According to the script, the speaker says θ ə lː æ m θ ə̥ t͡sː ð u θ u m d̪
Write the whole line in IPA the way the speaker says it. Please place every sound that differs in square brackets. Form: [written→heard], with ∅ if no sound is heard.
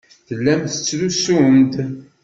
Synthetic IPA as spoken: θ ə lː æ m θ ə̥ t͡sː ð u [θ→s] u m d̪